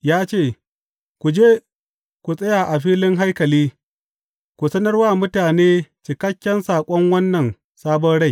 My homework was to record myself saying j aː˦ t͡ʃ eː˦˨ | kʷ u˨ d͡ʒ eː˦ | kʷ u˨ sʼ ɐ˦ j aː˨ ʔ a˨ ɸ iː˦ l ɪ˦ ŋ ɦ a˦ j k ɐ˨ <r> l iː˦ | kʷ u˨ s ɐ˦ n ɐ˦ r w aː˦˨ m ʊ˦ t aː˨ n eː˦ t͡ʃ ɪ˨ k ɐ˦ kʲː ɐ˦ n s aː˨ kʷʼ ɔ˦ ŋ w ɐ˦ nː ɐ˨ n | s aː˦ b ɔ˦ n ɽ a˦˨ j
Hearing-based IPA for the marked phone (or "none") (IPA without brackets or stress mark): none